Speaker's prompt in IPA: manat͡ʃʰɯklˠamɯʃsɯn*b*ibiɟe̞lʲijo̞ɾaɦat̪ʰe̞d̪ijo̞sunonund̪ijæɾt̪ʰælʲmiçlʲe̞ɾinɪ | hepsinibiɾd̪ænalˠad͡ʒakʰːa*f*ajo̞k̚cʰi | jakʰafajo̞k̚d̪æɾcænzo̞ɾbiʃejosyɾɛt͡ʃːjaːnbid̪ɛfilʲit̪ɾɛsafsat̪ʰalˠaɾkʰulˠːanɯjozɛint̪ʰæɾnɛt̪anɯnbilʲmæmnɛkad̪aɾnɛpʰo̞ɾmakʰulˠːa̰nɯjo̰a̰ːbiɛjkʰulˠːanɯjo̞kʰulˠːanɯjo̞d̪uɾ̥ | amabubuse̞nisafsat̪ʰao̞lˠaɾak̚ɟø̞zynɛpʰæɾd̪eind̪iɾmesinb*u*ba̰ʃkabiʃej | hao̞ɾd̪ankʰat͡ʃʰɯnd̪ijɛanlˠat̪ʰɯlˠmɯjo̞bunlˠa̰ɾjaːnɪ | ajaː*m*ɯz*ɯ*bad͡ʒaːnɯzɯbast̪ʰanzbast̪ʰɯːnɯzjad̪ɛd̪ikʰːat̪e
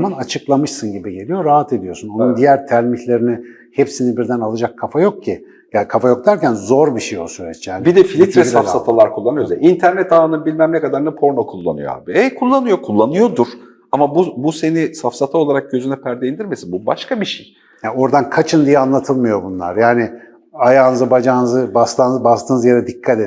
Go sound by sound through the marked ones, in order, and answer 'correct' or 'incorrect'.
incorrect: ɟ, correct, correct, incorrect: n, correct

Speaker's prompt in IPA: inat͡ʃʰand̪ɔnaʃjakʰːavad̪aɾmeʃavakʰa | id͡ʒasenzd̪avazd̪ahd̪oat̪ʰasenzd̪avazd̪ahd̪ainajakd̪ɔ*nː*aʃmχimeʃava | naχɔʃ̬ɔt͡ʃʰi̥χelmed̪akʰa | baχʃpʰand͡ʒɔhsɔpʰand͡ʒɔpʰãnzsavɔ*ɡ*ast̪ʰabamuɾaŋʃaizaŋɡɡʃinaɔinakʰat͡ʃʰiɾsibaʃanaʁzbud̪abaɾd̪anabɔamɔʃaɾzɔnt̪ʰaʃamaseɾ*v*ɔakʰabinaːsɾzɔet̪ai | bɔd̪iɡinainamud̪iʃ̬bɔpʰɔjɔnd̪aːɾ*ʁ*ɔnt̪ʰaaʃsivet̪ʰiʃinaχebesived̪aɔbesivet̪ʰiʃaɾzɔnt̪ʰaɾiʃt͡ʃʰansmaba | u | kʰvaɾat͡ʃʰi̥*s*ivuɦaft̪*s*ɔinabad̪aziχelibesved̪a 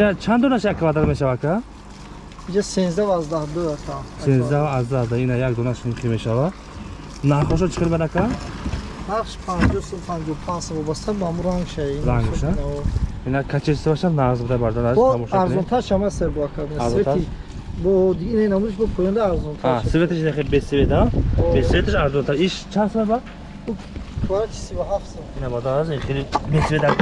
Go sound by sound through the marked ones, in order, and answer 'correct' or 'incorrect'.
incorrect: n, incorrect: b, incorrect: b, incorrect: z, correct, correct

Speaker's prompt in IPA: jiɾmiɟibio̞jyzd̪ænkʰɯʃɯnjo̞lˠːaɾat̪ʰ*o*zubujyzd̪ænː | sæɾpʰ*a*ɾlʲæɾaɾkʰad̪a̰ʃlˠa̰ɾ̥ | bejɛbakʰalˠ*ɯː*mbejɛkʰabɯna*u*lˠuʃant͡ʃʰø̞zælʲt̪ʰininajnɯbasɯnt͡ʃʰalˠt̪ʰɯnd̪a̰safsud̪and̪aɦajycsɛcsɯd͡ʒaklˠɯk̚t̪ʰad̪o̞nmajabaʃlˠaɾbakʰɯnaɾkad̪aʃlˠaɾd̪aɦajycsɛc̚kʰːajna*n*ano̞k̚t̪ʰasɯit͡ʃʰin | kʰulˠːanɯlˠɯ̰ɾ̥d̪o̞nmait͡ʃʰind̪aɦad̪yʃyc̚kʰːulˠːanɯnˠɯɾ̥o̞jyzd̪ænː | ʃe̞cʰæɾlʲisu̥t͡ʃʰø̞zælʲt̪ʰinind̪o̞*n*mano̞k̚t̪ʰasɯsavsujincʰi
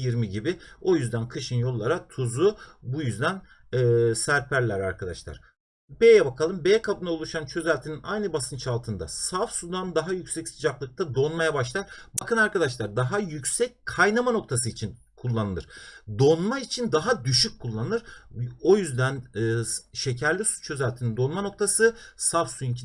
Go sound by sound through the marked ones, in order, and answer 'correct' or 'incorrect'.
incorrect: u, incorrect: æ, incorrect: ɯ, incorrect: o, incorrect: m, correct

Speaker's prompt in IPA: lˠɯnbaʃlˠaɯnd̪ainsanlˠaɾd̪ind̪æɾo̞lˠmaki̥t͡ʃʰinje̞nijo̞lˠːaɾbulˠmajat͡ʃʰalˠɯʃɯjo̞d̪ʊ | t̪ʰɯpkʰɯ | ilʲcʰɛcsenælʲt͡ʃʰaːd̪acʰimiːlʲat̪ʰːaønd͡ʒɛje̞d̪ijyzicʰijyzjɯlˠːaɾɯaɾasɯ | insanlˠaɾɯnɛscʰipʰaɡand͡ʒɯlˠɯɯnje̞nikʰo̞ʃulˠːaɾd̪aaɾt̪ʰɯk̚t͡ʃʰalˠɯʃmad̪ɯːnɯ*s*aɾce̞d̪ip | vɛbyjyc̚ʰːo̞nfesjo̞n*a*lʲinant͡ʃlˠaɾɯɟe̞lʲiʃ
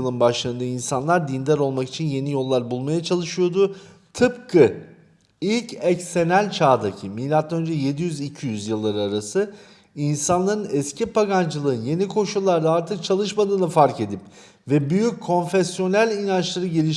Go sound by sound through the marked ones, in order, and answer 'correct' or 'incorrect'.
incorrect: f, incorrect: æ

